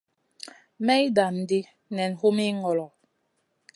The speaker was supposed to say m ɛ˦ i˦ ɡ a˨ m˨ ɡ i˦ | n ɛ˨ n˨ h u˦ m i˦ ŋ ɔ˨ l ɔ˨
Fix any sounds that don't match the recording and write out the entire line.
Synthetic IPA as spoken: m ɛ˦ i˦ d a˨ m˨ d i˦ | n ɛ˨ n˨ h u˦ m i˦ ŋ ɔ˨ l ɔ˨